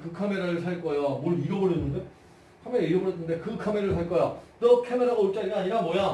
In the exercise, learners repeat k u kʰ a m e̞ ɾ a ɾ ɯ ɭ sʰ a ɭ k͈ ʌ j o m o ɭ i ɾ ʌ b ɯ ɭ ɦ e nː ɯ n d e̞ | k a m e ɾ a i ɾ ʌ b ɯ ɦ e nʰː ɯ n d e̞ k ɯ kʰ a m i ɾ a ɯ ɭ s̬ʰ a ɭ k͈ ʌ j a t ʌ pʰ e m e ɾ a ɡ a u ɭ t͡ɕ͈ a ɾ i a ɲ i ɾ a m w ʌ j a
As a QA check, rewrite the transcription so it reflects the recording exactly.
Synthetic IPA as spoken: k ɯ kʰ a m e̞ ɾ a ɾ ɯ ɭ sʰ a ɭ k͈ ʌ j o m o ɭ i ɾ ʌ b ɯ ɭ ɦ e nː ɯ n d e̞ | kʰ a m e ɾ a i ɾ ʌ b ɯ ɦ e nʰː ɯ n d e̞ k ɯ kʰ a m e ɾ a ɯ ɭ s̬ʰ a ɭ k͈ ʌ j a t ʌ kʰ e m e ɾ a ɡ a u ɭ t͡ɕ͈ a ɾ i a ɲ i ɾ a m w ʌ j a